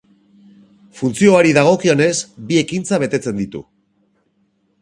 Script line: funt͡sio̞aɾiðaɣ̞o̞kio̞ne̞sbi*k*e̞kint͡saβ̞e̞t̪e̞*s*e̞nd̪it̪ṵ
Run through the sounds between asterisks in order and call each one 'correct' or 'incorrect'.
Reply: incorrect, incorrect

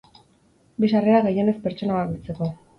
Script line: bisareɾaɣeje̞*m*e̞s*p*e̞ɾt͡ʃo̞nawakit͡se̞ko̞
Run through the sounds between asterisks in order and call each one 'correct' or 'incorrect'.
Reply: incorrect, correct

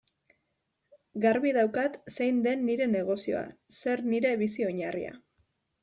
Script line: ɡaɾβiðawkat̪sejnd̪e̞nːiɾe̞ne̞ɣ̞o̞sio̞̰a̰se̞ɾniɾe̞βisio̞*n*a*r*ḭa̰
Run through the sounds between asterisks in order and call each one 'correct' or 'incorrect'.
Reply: incorrect, correct

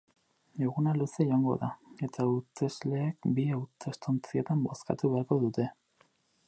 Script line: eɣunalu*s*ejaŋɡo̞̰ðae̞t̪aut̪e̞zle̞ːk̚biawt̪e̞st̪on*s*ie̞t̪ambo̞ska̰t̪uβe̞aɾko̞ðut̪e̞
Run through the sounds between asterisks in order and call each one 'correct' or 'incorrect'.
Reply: correct, incorrect

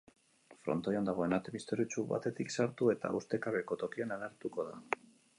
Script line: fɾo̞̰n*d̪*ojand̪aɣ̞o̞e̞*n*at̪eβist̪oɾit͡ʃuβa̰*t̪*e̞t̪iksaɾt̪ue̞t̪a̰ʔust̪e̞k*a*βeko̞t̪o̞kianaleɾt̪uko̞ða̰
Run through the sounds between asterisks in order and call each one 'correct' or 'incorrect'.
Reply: incorrect, correct, correct, correct

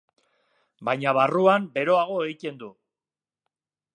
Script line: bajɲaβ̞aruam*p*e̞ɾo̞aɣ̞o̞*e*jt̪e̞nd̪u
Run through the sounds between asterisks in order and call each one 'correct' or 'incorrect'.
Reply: incorrect, correct

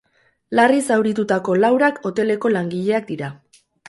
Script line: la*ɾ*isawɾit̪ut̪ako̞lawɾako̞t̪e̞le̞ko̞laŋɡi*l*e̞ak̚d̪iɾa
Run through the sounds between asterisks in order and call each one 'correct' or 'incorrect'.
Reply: incorrect, incorrect

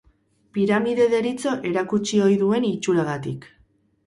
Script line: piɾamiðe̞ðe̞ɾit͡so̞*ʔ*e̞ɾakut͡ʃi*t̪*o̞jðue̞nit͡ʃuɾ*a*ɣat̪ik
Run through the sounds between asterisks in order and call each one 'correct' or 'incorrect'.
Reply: correct, incorrect, correct

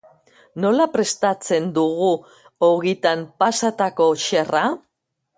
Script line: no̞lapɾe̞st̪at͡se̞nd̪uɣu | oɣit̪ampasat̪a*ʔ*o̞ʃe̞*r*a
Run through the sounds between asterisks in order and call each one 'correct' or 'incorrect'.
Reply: incorrect, correct

